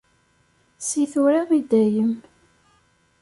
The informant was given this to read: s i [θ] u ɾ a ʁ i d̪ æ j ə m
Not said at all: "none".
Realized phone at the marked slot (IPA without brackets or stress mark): θ